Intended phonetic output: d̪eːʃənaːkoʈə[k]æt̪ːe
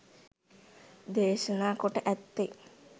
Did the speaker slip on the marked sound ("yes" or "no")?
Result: yes